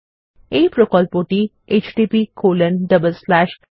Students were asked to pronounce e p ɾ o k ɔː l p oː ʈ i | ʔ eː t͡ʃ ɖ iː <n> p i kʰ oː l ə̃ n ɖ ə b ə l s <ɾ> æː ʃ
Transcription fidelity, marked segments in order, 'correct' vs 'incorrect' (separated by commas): incorrect, incorrect